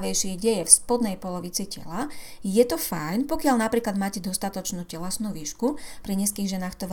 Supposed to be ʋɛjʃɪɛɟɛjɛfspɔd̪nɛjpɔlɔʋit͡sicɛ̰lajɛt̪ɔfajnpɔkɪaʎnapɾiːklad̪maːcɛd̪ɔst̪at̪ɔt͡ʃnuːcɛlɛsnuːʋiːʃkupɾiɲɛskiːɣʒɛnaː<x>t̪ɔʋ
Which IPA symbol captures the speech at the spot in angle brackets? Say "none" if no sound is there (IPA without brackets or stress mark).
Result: x